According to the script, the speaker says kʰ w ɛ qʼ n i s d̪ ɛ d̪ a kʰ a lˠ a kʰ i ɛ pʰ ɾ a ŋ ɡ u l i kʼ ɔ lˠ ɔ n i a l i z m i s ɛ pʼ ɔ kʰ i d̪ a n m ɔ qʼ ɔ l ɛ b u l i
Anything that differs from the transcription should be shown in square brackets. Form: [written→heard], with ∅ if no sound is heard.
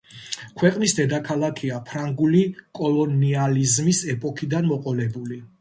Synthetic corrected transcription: kʰ w ɛ qʼ n i s d̪ ɛ d̪ a kʰ a lˠ a kʰ i [ɛ→a] pʰ ɾ a ŋ ɡ u l i kʼ ɔ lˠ ɔ n i a l i z m i s ɛ pʼ ɔ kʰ i d̪ a n m ɔ qʼ ɔ l ɛ b u l i